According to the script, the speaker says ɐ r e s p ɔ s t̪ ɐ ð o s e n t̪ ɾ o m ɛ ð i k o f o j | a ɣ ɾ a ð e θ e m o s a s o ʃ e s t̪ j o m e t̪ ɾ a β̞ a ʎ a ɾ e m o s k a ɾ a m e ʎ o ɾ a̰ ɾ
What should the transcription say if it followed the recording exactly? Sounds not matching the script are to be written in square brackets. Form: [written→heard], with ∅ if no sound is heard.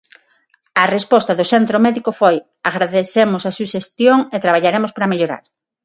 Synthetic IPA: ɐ r e s p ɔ s t̪ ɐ ð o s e n t̪ ɾ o m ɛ ð i k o f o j | a ɣ ɾ a ð e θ e m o s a s [o→u] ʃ e s t̪ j o [m→ŋ] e t̪ ɾ a β̞ a ʎ a ɾ e m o s [k→p] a ɾ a m e ʎ o ɾ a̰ ɾ

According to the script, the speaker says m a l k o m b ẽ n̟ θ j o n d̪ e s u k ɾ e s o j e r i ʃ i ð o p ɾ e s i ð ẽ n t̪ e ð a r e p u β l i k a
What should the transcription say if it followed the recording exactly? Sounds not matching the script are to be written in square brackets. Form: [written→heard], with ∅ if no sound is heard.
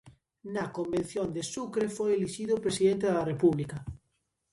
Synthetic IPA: [m→n] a [l→∅] k o m b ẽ n̟ θ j o n d̪ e s u k ɾ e [s→f] o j e [r→l] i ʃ i ð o p ɾ e s i ð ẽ n t̪ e ð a r e p u β l i k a

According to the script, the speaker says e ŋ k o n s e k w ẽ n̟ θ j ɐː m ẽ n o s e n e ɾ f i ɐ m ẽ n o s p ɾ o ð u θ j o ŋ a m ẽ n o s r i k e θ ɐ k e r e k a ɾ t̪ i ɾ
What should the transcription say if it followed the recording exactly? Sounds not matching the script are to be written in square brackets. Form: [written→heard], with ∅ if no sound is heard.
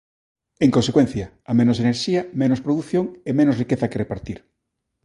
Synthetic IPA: e ŋ k o n s e k w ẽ n̟ θ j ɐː m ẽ n o s e n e ɾ [f→ʃ] i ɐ m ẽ n o s p ɾ o ð u θ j o ŋ [a→e] m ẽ n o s r i k e θ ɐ k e r e [k→p] a ɾ t̪ i ɾ

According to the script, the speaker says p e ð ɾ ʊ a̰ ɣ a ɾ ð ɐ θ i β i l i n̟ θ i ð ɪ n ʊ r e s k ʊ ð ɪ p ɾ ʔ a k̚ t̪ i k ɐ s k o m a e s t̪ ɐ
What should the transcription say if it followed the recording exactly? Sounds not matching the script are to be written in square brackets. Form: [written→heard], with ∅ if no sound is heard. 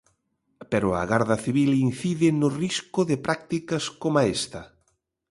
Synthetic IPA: p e [ð→∅] ɾ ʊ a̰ ɣ a ɾ ð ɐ θ i β i l i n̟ θ i ð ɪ n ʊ r [e→i] s k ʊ ð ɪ p ɾ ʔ a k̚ t̪ i k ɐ s k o m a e s t̪ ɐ

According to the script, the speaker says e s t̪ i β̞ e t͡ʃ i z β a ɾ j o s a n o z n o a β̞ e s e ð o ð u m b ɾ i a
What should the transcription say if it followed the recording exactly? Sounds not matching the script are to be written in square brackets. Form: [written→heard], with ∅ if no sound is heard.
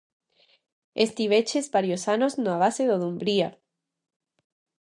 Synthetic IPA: e s t̪ i β̞ e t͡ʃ [i→e] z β a ɾ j o s a n o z n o a β̞ [e→a] s e ð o ð u m b ɾ i a

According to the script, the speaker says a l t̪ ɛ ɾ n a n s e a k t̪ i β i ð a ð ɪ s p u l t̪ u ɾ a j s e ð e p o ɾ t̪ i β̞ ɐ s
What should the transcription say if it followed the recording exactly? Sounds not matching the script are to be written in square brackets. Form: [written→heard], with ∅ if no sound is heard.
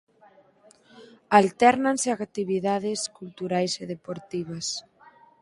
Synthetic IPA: a l t̪ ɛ ɾ n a n s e a k t̪ i β i ð a ð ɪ s [p→k] u l t̪ u ɾ a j s e ð e p o ɾ t̪ i β̞ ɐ s

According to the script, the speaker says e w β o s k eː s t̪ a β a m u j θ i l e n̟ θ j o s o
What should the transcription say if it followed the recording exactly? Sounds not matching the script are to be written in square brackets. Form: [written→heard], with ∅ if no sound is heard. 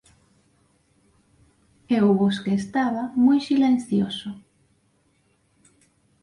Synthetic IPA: e w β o s k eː s t̪ a β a m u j [θ→s] i l e n̟ θ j o s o

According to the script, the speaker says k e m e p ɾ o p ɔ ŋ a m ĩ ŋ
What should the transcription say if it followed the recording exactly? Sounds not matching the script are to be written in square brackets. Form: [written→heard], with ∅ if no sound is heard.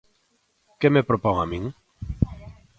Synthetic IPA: k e m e p ɾ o p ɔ ŋ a m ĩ ŋ

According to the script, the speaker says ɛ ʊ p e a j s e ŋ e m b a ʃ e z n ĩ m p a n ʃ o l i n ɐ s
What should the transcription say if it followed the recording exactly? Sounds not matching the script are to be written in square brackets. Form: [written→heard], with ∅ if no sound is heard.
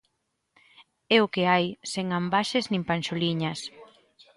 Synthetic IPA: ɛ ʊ [p→k] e a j s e ŋ [e→a] m b a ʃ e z n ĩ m p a n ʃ o l i [n→ɲ] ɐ s

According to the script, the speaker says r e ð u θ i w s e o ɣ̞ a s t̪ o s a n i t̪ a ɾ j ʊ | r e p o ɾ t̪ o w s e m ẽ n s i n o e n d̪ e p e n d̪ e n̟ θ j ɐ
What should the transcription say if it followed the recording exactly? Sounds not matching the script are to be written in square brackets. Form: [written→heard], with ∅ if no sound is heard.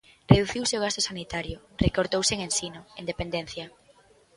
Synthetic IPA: r e ð u θ i w s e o ɣ̞ a s t̪ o s a n i t̪ a ɾ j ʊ | r e [p→k] o ɾ t̪ o w s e [m→ŋ] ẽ n s i n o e n d̪ e p e n d̪ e n̟ θ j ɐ

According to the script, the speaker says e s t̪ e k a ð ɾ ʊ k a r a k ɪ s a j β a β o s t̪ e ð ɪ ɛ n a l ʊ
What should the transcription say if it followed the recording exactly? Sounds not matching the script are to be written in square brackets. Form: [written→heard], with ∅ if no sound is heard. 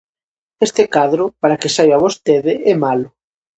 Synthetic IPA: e s t̪ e k a ð ɾ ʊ [k→p] a [r→ɾ] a k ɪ s a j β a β o s t̪ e ð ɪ ɛ [n→m] a l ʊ

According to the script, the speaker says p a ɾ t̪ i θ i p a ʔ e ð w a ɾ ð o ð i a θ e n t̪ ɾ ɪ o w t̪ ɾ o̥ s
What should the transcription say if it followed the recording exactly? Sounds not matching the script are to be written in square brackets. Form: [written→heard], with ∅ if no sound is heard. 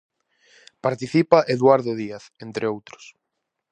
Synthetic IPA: p a ɾ t̪ i θ i p a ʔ e ð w a ɾ ð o ð i a θ e n t̪ ɾ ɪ o w t̪ ɾ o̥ s

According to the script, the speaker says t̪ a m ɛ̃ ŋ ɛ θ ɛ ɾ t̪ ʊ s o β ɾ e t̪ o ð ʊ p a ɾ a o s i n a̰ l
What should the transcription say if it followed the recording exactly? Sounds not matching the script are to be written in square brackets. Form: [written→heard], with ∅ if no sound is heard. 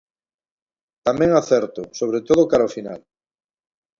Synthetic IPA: t̪ a m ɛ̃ ŋ [ɛ→a] θ ɛ ɾ t̪ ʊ s o β ɾ e t̪ o ð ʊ [p→k] a ɾ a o [s→f] i n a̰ l

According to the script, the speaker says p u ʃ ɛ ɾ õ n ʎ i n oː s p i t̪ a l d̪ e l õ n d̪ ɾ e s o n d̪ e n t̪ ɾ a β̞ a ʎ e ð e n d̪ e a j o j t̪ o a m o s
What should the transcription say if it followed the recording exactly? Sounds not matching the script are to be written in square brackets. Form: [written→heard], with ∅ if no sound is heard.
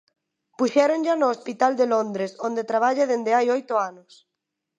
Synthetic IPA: p u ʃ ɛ ɾ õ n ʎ [i→a] n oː s p i t̪ a l d̪ e l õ n d̪ ɾ e s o n d̪ e [n→∅] t̪ ɾ a β̞ a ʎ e ð e n d̪ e a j o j t̪ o a [m→n] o s

